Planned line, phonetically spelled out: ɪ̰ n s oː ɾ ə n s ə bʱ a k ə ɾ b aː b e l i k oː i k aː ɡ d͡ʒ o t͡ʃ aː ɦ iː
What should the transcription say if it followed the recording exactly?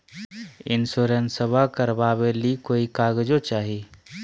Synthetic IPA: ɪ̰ n s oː ɾ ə n s ə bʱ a k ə ɾ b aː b e l i k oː i k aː ɡ d͡ʒ o t͡ʃ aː ɦ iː